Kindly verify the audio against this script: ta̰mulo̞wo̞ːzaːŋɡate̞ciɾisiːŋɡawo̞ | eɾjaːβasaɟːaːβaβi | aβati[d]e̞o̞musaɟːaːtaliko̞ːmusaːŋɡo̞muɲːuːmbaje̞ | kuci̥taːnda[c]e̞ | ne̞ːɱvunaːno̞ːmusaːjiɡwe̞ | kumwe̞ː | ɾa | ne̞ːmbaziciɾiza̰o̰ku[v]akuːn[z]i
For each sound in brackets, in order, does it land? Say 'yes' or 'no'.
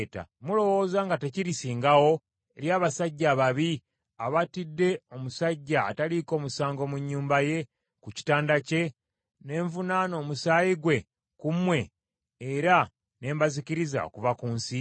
no, yes, yes, no

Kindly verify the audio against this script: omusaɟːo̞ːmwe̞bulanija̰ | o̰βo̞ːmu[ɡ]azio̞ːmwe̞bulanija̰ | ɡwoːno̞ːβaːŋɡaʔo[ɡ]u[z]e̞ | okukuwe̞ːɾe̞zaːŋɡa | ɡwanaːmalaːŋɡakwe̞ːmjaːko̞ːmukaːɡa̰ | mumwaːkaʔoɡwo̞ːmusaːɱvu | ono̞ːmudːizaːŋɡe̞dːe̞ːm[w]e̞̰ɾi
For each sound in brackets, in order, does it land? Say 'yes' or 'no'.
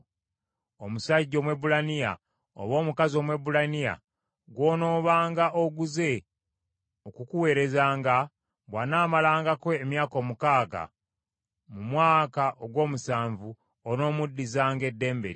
no, yes, yes, no

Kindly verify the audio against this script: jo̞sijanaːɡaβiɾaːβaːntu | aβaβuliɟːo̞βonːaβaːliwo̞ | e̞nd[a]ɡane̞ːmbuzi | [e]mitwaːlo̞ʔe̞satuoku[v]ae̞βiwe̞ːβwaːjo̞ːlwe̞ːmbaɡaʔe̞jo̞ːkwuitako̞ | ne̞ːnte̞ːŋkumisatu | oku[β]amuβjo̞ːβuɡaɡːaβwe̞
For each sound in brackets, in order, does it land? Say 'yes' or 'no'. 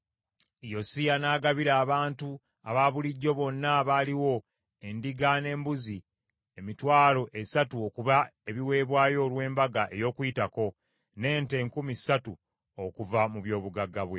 no, yes, no, no

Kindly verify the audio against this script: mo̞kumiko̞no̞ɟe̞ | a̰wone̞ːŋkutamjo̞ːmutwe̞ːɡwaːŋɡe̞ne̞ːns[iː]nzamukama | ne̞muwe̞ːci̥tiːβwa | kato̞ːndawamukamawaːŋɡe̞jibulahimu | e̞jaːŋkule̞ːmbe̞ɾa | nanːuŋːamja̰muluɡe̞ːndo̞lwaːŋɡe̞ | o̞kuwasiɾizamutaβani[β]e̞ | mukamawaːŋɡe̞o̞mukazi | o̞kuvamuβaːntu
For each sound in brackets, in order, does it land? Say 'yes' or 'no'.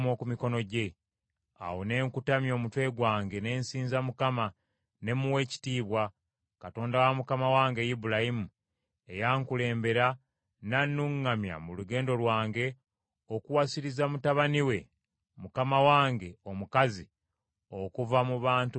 yes, no

